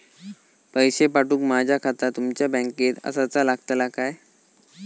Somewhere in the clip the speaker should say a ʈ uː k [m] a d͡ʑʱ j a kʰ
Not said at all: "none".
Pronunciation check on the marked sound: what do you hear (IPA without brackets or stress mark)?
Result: m